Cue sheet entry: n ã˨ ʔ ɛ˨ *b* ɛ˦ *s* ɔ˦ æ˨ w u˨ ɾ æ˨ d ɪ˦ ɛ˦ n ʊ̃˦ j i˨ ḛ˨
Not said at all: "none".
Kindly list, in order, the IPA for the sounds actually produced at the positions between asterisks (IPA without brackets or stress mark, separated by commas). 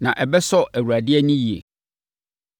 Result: b, s